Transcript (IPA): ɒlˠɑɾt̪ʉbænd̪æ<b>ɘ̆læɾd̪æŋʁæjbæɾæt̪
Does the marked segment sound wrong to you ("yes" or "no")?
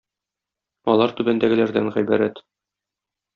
yes